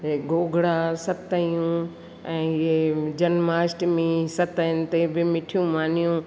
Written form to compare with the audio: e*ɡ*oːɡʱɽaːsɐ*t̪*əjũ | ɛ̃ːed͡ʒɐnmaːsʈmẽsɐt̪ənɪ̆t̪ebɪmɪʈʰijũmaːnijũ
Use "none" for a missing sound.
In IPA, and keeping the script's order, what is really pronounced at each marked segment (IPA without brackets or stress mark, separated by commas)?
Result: ɡ, t̪